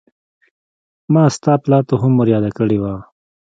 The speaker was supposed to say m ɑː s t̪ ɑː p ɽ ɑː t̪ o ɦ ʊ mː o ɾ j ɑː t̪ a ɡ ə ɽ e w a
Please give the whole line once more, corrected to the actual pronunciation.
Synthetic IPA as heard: m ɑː s t̪ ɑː p l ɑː t̪ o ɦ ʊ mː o ɾ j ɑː d̪ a k ə ɽ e w a